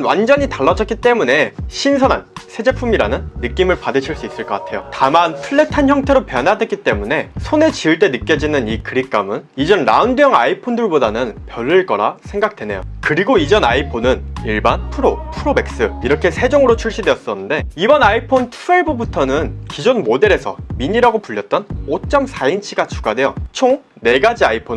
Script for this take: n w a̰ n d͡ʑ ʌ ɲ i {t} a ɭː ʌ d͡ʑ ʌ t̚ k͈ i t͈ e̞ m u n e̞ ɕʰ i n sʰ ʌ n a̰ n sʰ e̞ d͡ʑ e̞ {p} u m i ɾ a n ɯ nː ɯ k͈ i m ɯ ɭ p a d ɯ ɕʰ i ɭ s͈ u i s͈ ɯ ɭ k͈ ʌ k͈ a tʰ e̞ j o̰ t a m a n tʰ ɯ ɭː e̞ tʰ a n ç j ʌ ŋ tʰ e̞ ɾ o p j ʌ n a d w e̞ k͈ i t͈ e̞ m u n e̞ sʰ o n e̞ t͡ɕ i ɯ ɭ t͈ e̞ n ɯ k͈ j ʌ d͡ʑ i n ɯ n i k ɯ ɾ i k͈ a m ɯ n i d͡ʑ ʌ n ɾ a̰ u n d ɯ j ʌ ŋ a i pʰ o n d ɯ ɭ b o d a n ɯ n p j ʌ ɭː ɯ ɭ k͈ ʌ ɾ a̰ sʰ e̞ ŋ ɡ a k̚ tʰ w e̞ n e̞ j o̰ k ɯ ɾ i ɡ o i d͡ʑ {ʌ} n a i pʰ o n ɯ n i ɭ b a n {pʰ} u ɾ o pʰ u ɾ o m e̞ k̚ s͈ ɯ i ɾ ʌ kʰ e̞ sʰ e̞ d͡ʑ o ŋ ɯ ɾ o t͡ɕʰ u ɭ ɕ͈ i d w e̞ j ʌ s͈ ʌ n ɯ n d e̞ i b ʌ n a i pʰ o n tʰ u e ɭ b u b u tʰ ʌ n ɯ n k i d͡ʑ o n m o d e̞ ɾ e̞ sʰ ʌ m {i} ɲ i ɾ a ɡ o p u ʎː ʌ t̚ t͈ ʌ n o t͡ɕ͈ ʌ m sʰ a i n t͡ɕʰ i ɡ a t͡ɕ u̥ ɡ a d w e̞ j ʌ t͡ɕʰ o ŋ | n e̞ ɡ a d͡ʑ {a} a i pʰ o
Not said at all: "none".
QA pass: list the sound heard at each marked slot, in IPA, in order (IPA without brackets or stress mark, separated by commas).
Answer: t, pʰ, ʌ, pʰ, i, i